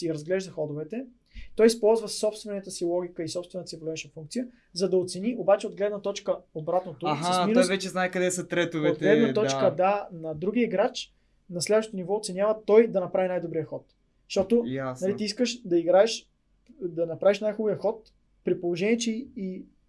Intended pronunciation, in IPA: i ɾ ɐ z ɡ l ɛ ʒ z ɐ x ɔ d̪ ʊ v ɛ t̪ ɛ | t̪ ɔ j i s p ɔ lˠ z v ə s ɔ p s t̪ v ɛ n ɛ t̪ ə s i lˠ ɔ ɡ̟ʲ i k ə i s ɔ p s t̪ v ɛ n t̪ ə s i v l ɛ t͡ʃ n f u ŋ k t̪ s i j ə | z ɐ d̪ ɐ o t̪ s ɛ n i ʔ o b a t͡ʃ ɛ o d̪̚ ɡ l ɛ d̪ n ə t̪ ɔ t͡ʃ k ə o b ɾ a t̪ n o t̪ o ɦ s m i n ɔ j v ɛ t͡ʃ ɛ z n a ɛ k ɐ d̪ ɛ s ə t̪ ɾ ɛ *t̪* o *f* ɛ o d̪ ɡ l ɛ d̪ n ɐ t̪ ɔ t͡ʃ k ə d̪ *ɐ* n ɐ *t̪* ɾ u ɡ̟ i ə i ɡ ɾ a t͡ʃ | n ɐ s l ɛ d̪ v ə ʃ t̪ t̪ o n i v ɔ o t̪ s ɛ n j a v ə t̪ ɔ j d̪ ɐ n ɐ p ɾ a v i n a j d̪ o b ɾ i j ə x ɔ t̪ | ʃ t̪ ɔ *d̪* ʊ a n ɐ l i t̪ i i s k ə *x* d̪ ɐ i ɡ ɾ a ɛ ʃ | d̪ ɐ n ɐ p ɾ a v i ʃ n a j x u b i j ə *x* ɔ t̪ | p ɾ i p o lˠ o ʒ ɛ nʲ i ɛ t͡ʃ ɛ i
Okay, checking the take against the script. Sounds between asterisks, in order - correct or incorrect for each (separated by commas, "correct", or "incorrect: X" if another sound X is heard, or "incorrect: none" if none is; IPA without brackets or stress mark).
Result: correct, incorrect: v, incorrect: a, incorrect: d̪, incorrect: t̪, incorrect: ʃ, correct